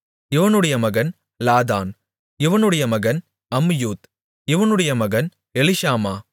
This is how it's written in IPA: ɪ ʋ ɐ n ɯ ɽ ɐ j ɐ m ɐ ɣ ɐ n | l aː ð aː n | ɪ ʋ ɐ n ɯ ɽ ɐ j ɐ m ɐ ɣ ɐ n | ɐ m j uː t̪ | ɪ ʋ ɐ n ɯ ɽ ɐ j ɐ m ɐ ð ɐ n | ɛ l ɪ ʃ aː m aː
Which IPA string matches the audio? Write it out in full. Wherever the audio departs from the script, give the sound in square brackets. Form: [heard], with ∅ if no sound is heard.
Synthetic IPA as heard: ɪ ʋ ɐ n ɯ ɽ ɐ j ɐ m ɐ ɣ ɐ n | l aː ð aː n | ɪ ʋ ɐ n ɯ ɽ ɐ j ɐ m ɐ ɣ ɐ n | ɐ m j uː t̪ | ɪ ʋ ɐ n ɯ ɽ ɐ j ɐ m ɐ [ɣ] ɐ n | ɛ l ɪ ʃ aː m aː